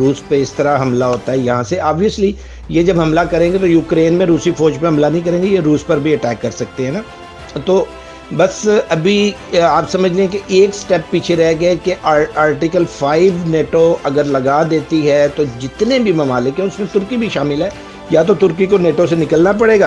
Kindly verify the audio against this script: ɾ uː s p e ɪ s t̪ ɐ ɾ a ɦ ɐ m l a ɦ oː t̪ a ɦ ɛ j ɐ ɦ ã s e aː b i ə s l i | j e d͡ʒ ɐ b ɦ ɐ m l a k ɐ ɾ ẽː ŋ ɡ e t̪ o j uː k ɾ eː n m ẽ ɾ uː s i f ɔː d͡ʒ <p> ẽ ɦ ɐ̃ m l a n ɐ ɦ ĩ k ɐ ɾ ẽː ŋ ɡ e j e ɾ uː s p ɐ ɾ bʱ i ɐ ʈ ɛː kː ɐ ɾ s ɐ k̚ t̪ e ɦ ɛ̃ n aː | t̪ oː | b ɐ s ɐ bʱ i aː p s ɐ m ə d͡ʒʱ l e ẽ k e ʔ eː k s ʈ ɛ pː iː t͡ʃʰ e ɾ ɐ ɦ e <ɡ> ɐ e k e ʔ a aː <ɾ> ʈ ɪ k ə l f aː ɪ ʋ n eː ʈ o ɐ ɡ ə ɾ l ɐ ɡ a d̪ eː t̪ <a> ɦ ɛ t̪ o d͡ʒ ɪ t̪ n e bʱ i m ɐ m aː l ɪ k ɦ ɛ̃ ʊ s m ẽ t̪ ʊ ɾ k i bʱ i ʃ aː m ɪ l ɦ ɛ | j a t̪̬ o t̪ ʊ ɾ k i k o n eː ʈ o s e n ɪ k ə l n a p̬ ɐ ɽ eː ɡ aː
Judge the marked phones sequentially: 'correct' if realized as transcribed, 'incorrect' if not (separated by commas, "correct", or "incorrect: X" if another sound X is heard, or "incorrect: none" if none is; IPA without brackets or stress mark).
correct, correct, correct, incorrect: i